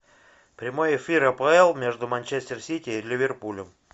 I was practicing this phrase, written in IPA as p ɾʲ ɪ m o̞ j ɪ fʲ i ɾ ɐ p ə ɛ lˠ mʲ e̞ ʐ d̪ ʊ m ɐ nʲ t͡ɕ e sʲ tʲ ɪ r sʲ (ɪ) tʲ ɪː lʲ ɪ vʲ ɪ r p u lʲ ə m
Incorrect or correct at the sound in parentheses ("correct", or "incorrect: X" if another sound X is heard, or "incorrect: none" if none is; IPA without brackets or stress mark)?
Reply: incorrect: i